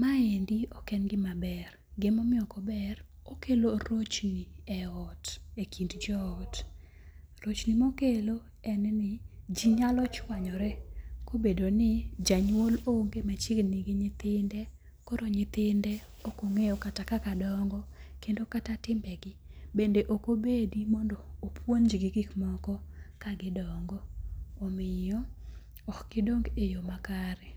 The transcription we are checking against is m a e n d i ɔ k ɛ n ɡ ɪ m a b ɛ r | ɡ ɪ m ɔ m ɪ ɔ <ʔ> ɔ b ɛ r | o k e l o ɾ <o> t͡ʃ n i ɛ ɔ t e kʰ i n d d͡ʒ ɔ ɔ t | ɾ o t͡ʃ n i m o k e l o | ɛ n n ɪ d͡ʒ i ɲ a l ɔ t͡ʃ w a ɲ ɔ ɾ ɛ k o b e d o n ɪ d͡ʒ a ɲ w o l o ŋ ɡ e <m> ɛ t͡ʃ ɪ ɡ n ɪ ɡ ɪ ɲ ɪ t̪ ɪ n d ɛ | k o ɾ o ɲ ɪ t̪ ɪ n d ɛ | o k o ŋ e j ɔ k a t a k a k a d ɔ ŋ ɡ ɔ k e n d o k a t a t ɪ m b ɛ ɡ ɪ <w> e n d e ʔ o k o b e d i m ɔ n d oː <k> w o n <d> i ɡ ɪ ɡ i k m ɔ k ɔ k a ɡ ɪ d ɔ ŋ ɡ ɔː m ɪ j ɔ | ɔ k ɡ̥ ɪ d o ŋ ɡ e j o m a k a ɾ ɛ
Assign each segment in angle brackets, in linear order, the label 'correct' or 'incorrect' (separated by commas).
incorrect, correct, correct, incorrect, incorrect, incorrect